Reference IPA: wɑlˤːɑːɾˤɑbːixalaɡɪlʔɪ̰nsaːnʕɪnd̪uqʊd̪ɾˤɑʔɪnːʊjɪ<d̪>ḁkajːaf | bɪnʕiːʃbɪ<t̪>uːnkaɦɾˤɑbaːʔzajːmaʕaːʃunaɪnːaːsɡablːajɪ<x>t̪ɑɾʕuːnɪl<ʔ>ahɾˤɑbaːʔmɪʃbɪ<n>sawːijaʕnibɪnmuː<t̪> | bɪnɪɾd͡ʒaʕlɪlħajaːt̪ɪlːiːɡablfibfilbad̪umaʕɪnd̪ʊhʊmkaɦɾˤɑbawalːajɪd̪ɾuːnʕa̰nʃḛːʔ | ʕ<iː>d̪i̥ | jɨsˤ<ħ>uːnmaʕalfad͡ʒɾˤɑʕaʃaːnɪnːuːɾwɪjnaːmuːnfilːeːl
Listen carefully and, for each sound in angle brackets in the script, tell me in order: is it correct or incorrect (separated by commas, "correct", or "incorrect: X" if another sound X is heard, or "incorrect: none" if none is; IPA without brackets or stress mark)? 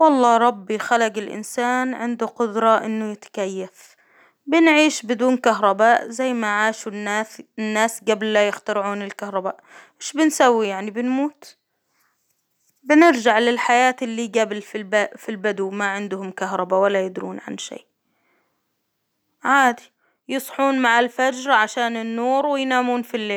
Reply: incorrect: t̪, incorrect: d̪, correct, incorrect: k, correct, correct, incorrect: aː, correct